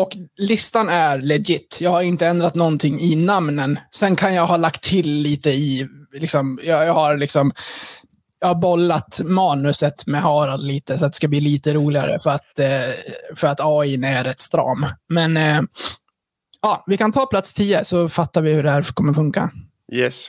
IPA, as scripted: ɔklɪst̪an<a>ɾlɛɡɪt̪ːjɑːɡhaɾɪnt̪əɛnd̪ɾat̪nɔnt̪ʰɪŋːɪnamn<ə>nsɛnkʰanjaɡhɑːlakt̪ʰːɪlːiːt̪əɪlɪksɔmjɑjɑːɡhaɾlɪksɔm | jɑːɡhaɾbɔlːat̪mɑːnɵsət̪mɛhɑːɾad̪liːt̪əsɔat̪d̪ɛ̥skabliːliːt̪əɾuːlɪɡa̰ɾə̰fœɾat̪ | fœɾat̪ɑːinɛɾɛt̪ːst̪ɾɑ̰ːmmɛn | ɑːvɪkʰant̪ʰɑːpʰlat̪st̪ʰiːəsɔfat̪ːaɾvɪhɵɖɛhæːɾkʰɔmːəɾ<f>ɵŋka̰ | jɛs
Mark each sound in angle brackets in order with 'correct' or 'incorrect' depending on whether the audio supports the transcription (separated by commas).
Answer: incorrect, correct, correct